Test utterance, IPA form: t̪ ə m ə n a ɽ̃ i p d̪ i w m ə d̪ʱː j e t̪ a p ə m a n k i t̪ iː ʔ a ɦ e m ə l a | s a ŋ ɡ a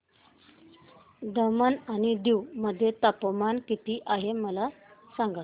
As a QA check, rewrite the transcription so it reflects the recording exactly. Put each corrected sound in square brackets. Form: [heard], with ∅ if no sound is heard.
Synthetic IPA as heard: [d̪] ə m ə n a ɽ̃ i [∅] d̪ i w m ə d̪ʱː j e t̪ a p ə m a n k i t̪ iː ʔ a ɦ e m ə l a | s a ŋ ɡ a